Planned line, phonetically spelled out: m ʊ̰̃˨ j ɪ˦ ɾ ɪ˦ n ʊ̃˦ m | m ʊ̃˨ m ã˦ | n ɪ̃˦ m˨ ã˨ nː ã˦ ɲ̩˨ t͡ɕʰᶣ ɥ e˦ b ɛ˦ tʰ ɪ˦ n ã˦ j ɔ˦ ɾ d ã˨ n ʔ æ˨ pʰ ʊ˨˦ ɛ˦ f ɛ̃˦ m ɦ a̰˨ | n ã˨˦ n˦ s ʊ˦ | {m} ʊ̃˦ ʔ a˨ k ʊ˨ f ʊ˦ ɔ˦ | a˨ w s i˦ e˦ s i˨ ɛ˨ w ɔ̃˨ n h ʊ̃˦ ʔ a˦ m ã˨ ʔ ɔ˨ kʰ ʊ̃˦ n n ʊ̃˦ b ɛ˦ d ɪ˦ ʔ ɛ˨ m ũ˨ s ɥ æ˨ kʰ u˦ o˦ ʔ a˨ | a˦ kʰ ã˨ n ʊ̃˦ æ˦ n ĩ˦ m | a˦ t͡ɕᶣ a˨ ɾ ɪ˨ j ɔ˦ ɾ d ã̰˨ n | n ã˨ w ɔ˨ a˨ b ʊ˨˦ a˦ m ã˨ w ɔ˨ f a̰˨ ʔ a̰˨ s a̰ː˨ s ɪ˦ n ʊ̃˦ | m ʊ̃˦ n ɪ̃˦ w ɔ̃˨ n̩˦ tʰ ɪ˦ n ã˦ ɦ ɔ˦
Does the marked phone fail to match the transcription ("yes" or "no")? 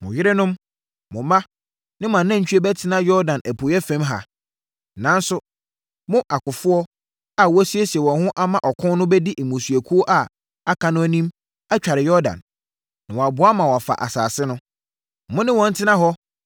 no